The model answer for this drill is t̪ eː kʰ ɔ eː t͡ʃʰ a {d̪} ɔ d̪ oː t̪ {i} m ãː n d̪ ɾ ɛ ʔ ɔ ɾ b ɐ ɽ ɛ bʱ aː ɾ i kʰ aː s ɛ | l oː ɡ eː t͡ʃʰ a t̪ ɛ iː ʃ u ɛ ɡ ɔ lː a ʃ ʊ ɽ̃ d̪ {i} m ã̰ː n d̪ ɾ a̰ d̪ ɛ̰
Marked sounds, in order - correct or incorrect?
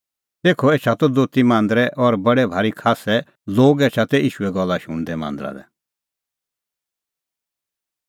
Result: incorrect: t̪, correct, incorrect: ɛ

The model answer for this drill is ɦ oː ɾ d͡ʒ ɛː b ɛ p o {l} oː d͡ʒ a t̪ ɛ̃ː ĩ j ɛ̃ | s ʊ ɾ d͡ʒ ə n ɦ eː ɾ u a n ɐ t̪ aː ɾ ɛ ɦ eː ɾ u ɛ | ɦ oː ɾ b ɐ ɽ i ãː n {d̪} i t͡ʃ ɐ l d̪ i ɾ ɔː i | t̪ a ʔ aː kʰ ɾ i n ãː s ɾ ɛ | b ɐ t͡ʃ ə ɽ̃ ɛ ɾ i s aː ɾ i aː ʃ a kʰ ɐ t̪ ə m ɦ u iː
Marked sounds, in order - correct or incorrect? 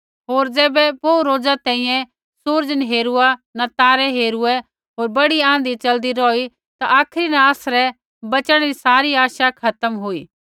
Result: incorrect: ɾ, correct

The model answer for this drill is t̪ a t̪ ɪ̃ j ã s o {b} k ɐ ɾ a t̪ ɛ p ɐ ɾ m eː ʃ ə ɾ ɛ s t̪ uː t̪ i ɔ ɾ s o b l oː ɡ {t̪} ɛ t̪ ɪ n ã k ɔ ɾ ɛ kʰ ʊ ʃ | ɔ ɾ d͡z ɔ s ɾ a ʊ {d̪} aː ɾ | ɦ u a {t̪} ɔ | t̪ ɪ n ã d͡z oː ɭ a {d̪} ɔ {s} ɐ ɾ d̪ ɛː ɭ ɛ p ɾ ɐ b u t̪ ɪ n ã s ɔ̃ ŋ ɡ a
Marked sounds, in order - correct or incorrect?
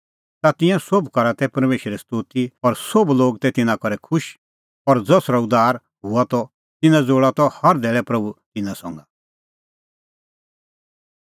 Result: correct, correct, correct, correct, incorrect: t̪, incorrect: h

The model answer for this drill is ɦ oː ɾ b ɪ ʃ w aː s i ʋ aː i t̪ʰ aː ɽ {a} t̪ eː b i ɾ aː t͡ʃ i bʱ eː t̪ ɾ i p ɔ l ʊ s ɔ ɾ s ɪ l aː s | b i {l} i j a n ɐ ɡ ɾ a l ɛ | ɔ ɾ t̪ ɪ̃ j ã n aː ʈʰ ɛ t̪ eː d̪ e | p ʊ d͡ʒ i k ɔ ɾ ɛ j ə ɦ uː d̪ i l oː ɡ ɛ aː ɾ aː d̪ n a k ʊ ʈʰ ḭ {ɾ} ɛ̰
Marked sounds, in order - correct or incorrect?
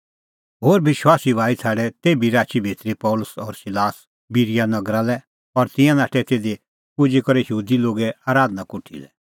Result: incorrect: ɛ, incorrect: ɾ, incorrect: l

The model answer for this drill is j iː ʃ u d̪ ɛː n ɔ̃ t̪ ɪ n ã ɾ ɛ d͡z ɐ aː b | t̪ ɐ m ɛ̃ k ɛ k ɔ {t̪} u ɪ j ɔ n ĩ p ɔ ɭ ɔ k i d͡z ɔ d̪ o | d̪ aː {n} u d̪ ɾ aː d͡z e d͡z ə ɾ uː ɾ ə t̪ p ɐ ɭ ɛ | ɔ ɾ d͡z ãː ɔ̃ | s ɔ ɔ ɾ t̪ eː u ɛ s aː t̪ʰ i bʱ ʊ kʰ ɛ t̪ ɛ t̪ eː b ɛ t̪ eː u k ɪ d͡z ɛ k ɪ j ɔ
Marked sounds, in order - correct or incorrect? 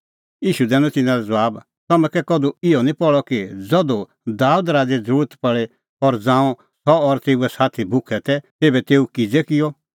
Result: incorrect: d̪, incorrect: none

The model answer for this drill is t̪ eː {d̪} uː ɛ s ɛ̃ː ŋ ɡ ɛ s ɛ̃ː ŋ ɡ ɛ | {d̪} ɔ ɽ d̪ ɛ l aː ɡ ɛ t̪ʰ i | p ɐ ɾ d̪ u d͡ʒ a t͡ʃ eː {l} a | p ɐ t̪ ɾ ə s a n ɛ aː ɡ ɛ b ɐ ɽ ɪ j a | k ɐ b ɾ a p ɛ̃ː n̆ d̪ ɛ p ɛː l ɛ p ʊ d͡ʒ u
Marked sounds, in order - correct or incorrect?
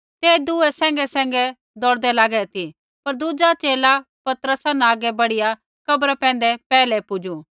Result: correct, correct, correct

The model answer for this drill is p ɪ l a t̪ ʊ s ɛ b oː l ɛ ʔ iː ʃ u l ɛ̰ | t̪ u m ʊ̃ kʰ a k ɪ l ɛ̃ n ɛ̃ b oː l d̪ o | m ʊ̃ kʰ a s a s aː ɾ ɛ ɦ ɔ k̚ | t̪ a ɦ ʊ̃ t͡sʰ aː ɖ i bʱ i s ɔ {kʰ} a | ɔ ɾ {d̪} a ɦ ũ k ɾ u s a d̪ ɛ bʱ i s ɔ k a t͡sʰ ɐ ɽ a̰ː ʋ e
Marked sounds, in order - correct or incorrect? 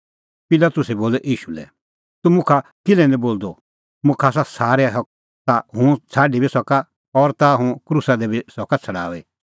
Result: incorrect: k, incorrect: t̪

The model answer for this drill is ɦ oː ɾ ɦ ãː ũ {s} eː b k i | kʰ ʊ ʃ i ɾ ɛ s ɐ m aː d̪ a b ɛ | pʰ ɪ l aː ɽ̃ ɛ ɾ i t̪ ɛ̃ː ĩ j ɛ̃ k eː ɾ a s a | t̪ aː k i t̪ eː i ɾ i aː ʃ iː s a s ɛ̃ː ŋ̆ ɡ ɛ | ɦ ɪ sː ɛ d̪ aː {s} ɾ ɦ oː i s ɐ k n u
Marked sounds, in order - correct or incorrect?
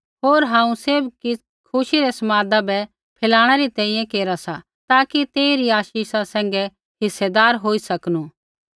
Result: correct, incorrect: none

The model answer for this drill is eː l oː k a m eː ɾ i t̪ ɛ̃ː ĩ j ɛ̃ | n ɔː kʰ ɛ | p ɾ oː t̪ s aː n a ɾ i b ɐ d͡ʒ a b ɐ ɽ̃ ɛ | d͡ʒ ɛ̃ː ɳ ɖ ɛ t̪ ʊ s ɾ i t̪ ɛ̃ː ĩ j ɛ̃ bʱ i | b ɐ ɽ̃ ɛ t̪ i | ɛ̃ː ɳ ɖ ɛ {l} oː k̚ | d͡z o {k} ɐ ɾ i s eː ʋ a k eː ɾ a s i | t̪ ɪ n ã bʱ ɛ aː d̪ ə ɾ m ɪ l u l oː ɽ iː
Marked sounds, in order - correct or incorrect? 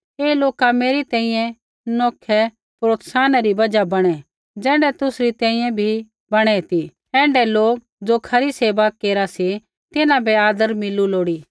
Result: correct, incorrect: kʰ

